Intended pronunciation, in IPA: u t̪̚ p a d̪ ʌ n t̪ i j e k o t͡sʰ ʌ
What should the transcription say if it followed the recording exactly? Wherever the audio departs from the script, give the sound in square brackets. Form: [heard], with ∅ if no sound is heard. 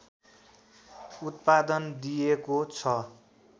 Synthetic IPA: u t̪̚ p a d̪ ʌ n [d̪] i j e k o t͡sʰ ʌ